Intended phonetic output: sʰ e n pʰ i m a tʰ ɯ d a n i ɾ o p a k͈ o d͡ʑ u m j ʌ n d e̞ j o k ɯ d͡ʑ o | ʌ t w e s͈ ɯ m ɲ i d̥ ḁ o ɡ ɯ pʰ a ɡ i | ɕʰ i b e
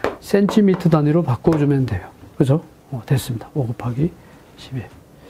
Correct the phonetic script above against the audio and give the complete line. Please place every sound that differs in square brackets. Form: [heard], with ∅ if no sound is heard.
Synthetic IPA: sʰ e n [tʰ] i m [i] tʰ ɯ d a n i ɾ o p a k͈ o d͡ʑ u m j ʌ n d e̞ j o k ɯ d͡ʑ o | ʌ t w e s͈ ɯ m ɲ i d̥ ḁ o ɡ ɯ pʰ a ɡ i | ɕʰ i b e